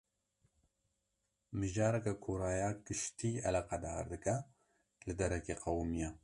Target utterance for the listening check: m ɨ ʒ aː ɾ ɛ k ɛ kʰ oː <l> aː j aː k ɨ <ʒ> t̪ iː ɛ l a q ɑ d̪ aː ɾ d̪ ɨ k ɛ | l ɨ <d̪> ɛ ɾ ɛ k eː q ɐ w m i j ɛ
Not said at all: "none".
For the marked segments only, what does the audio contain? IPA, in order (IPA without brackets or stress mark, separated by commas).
ɾ, ʃ, d̪